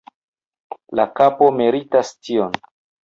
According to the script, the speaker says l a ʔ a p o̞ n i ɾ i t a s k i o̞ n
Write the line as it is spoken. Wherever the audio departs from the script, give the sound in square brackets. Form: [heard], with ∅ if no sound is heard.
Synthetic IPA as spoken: l a [k] a p o̞ [m] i ɾ i t a s [t] i o̞ n